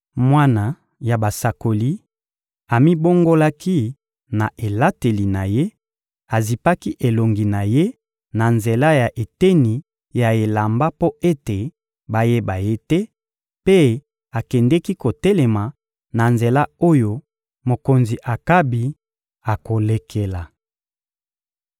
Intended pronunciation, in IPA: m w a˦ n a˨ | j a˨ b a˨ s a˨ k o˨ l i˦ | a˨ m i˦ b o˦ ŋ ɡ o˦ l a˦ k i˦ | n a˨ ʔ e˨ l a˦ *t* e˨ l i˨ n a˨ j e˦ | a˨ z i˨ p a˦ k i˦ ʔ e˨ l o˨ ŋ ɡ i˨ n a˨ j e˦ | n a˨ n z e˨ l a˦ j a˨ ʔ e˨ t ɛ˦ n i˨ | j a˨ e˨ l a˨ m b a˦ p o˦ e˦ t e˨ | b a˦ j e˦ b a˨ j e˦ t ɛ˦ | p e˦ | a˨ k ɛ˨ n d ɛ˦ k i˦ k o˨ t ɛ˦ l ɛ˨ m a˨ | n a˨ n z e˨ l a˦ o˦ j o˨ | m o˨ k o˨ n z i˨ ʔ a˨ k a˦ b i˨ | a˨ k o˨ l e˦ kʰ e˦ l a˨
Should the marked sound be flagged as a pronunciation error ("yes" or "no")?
no